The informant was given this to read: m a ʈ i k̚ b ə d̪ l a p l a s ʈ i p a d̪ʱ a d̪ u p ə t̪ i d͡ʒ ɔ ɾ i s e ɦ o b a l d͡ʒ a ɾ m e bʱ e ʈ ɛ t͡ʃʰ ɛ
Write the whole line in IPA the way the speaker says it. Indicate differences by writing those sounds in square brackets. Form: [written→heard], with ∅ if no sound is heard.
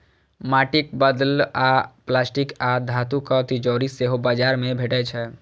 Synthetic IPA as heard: m a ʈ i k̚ b ə d̪ l a p l a s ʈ i [p→k] a d̪ʱ a [d̪→t̪] u [p→k] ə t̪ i d͡ʒ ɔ ɾ i s e ɦ o b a [l→∅] d͡ʒ a ɾ m e bʱ e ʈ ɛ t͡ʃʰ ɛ